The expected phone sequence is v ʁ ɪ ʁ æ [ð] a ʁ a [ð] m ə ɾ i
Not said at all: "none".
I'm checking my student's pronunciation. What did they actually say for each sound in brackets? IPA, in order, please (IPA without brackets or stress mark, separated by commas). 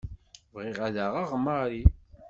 ð, ʁ